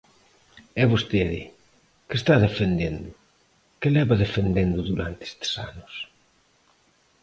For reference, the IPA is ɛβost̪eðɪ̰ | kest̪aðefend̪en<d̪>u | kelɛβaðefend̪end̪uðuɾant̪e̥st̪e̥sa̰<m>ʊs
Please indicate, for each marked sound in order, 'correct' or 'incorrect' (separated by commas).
correct, incorrect